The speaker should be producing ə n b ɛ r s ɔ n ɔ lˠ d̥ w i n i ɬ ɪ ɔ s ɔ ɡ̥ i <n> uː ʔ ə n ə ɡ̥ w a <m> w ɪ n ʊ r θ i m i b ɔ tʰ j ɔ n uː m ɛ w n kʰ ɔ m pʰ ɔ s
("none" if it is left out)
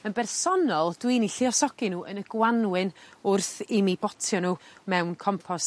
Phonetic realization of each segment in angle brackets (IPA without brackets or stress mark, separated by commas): n, n